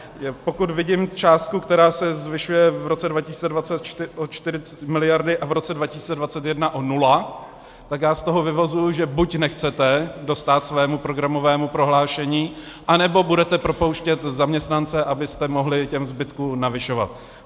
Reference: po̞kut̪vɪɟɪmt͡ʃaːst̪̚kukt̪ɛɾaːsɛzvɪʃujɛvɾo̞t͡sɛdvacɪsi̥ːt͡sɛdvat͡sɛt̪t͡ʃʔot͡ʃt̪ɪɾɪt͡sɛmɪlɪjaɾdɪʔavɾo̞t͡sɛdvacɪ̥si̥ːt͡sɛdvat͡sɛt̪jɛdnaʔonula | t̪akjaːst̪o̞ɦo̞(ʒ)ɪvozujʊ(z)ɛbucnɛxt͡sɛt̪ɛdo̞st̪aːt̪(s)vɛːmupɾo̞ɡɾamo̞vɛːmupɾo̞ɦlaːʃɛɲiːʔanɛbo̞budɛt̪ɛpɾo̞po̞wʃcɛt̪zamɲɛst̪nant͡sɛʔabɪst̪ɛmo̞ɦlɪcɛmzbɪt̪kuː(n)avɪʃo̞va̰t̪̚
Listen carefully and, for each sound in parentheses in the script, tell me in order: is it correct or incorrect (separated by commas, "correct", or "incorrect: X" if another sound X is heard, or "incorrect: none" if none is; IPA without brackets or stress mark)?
incorrect: v, incorrect: ʒ, correct, correct